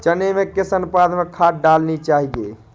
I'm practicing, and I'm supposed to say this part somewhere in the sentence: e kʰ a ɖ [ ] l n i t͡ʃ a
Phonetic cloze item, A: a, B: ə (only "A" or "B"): A